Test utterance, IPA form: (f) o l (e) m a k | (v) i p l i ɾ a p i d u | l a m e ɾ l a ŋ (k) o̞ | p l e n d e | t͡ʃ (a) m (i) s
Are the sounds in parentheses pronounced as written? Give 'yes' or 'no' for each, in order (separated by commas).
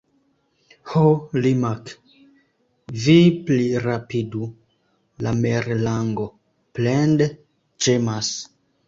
no, no, yes, no, no, no